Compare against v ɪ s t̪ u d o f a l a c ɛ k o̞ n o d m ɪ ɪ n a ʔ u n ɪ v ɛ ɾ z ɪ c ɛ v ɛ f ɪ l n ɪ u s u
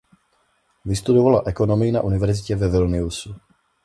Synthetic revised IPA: v ɪ s t̪ u d o v a l a ʔ ɛ k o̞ n o m ɪ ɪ n a ʔ u n ɪ v ɛ ɾ z ɪ c ɛ v ɛ v ɪ l n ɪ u s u